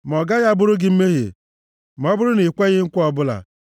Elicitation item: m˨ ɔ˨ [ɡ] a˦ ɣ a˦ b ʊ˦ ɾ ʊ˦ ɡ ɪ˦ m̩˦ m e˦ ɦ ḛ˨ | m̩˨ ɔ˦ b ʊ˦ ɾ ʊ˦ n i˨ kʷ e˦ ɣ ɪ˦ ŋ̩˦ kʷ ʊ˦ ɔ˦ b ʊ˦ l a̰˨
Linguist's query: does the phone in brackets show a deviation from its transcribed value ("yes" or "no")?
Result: no